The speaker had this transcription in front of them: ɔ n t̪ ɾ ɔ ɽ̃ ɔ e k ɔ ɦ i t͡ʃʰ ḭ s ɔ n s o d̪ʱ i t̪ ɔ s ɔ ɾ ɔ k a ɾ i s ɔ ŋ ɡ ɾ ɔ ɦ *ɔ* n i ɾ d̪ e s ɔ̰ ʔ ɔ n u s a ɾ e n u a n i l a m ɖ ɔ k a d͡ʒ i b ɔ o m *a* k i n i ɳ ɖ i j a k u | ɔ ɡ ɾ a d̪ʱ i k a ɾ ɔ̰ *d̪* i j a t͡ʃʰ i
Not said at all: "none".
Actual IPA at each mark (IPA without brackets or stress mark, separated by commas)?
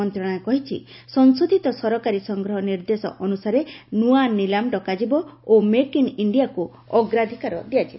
ɔ, e, d̪